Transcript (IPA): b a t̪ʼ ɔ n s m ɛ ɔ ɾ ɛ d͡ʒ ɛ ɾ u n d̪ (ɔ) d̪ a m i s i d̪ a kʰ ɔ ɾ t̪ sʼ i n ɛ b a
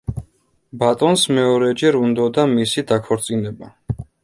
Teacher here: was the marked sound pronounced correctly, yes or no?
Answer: yes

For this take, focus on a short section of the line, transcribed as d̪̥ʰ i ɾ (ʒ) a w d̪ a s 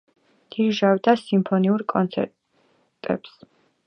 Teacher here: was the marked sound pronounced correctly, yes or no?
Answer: yes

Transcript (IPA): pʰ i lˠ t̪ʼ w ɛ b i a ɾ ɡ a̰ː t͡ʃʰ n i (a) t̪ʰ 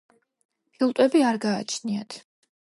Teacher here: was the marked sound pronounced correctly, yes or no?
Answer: yes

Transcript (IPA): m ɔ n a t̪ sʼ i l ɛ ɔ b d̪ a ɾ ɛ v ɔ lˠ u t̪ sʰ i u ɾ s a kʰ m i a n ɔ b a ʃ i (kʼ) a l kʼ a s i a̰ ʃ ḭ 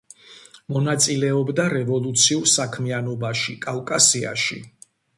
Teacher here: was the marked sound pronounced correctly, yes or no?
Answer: yes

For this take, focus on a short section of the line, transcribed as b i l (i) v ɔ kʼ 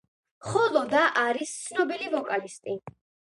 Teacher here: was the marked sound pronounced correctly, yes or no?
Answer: yes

